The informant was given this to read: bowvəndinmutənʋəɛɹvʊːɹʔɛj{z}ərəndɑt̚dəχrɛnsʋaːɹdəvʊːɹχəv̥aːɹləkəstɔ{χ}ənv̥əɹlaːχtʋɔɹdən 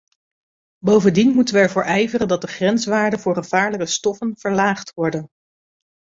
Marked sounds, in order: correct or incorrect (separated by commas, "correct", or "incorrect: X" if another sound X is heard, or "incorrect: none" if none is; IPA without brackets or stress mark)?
incorrect: v, incorrect: f